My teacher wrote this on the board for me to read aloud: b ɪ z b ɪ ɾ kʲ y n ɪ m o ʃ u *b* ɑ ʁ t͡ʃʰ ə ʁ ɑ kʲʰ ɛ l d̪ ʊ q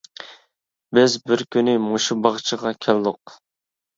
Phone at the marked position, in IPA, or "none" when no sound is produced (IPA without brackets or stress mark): b